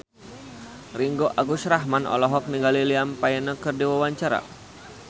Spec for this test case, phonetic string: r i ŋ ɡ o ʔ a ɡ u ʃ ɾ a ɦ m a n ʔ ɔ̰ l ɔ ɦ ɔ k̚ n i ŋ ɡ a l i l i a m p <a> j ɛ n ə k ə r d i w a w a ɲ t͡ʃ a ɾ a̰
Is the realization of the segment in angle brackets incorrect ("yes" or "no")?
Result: no